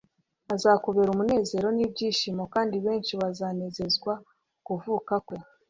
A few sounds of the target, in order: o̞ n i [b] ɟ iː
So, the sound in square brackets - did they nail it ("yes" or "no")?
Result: yes